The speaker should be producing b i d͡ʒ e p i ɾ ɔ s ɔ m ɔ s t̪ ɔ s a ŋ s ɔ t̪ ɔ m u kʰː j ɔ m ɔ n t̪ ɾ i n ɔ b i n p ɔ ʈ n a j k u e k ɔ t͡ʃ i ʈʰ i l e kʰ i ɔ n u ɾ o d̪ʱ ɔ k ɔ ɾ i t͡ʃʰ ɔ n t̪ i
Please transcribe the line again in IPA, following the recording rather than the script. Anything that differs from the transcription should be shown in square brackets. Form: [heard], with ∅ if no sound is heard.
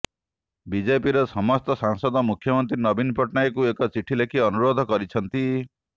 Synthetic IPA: b i d͡ʒ e p i ɾ ɔ s ɔ m ɔ s t̪ ɔ s a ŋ s ɔ [d̪] ɔ m u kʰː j ɔ m ɔ n t̪ ɾ i n ɔ b i n p ɔ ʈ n a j k u e k ɔ t͡ʃ i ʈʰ i l e kʰ i ɔ n u ɾ o d̪ʱ ɔ k ɔ ɾ i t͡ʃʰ ɔ n t̪ i